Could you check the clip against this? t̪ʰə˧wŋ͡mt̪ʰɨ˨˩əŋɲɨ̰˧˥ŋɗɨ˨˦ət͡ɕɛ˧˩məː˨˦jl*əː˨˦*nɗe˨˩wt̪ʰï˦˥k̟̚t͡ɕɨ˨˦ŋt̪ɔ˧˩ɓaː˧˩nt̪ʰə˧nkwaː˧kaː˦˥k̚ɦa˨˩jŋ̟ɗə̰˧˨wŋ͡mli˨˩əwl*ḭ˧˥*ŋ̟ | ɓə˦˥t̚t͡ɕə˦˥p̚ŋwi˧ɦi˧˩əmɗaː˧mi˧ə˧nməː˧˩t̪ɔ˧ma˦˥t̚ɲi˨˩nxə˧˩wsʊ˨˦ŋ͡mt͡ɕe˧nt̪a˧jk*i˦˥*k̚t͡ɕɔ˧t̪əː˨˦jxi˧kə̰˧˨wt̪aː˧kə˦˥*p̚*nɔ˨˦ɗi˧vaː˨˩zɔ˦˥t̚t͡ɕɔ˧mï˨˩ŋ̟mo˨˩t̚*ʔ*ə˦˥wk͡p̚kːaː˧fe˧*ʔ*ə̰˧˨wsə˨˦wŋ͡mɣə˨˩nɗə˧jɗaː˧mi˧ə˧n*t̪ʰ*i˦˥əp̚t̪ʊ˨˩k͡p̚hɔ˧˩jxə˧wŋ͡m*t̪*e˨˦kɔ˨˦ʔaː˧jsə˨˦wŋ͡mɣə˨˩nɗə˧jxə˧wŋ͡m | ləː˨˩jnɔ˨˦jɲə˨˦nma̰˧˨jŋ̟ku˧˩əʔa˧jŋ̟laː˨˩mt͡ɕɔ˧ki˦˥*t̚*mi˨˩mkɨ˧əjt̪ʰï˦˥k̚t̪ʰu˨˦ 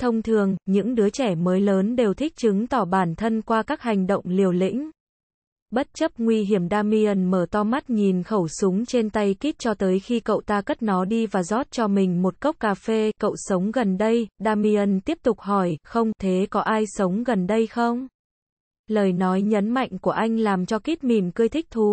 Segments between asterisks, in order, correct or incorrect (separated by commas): correct, correct, correct, incorrect, incorrect, incorrect, incorrect, incorrect, correct